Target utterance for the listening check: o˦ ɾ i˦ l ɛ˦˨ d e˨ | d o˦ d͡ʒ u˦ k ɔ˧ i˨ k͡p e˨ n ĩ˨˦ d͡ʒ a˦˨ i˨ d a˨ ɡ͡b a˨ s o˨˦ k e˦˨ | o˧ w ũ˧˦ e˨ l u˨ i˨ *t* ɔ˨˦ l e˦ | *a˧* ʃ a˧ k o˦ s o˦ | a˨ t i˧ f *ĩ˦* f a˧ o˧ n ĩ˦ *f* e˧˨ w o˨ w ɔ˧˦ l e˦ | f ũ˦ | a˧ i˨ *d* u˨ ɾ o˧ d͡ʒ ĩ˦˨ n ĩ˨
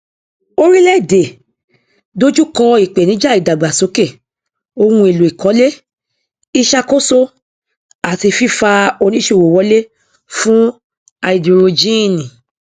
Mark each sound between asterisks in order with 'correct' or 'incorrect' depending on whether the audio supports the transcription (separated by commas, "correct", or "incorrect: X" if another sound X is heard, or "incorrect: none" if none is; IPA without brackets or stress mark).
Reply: incorrect: k, incorrect: i˧, incorrect: i˦, incorrect: ʃ, correct